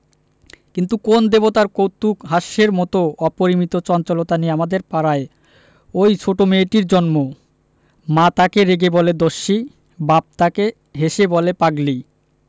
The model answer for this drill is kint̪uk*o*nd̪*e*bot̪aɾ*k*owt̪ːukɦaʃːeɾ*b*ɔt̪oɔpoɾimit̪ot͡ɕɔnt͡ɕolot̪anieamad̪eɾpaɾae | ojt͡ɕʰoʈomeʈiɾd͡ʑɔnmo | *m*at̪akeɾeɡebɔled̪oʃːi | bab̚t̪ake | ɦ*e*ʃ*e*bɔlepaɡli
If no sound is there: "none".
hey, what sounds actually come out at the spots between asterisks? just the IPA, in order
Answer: o, e, k, m, m, e, e

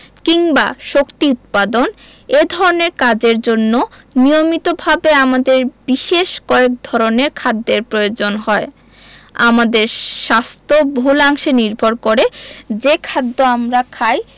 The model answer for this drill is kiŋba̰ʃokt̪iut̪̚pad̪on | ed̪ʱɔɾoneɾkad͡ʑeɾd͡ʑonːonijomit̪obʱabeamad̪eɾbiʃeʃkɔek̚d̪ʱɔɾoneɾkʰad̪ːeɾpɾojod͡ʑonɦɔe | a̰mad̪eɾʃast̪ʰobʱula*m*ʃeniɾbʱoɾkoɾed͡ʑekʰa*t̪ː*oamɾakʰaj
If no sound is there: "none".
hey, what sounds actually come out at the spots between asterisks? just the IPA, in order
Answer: ŋ, d̪ː

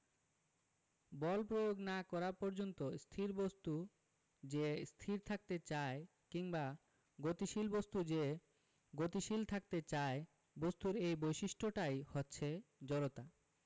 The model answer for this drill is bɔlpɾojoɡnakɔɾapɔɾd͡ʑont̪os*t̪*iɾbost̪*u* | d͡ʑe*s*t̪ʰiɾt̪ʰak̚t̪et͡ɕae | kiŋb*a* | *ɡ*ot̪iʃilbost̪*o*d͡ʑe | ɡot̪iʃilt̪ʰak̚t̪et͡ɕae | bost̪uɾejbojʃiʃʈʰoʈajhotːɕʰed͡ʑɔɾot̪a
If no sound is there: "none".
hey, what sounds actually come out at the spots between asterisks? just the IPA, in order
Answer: t̪ʰ, u, s, a, ɡ, u

